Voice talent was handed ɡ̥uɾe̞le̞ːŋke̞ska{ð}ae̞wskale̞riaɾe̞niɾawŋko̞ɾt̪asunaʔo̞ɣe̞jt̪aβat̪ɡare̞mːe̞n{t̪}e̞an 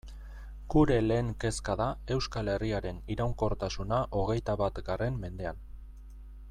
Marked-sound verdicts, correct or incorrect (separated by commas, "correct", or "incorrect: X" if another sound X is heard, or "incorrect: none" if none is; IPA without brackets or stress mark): correct, incorrect: d̪